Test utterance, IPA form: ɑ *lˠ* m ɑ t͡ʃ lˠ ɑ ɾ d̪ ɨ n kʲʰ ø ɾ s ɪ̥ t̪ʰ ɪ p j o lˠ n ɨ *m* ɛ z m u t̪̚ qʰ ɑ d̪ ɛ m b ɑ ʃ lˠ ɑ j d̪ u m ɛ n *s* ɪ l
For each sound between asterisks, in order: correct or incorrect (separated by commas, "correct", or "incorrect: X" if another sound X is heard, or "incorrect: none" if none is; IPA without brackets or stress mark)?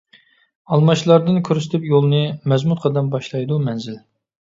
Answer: correct, correct, incorrect: z